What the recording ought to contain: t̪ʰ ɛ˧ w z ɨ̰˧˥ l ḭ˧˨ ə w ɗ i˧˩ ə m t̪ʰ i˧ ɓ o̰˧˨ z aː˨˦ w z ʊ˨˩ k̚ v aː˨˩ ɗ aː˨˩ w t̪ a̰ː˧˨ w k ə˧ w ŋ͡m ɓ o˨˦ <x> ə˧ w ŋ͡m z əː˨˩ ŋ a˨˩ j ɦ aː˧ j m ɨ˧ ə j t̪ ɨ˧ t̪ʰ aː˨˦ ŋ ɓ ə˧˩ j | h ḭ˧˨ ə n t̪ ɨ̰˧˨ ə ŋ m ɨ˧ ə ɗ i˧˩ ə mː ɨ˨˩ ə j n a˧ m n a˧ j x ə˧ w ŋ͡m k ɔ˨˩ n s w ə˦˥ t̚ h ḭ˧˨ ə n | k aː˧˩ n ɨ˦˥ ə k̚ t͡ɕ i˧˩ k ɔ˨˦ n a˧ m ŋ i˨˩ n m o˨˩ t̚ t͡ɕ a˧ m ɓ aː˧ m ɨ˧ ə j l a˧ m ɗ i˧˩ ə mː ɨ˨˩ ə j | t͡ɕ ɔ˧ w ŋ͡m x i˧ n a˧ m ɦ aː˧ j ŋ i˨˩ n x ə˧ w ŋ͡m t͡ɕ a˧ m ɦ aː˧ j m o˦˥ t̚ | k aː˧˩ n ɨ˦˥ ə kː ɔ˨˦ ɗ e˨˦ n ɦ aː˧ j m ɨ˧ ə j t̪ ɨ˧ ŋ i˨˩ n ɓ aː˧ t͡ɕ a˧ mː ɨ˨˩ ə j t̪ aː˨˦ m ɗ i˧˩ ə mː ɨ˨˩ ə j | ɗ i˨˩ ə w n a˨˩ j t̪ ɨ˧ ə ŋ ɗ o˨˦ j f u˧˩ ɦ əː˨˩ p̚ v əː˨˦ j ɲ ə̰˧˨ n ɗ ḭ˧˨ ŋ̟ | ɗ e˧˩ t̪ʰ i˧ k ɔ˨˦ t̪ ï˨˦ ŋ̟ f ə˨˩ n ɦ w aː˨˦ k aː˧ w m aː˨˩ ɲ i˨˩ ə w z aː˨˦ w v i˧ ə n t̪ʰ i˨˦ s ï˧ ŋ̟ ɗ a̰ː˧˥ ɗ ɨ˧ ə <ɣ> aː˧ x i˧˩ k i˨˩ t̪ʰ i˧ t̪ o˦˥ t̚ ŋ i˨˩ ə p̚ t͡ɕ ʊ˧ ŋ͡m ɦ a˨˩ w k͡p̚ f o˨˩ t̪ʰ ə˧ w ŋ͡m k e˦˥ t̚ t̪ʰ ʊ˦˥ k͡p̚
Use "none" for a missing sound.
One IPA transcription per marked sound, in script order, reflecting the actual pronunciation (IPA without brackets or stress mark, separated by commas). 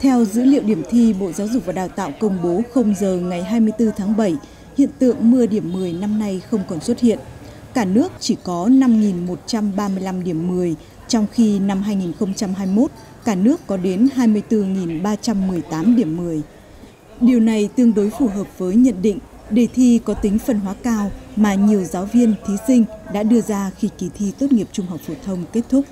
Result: x, z